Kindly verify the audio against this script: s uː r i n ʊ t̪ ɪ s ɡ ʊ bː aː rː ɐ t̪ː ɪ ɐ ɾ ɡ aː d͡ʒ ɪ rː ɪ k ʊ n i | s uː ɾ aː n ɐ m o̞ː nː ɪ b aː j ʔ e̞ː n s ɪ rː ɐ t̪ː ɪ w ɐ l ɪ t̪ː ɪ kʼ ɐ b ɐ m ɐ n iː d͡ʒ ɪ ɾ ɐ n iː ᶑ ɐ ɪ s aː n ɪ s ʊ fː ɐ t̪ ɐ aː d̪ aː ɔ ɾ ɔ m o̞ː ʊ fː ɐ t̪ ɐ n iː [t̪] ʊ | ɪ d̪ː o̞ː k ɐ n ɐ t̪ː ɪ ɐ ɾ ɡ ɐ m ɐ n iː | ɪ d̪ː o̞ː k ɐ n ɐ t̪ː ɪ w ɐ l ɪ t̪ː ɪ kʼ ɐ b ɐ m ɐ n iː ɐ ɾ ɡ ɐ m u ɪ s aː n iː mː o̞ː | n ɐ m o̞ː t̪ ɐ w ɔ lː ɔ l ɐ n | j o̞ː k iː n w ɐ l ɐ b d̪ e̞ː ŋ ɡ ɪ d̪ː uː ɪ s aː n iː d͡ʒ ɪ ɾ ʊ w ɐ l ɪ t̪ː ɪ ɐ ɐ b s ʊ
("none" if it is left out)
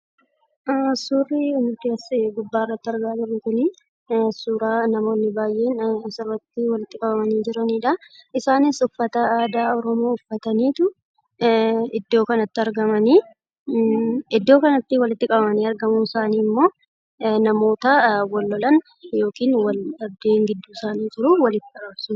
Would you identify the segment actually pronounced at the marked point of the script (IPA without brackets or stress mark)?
t̪